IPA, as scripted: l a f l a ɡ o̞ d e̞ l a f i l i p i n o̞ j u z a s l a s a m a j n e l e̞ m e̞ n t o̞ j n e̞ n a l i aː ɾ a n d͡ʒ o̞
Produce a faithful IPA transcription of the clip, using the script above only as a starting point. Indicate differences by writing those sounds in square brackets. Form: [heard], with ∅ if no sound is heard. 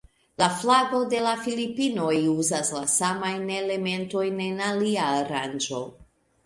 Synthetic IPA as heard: l a f l a ɡ o̞ d e̞ l a f i l i p i n o̞ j u z a s l a s a m a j n e l e̞ m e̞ n t o̞ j n e̞ n a l i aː ɾ a n d͡ʒ o̞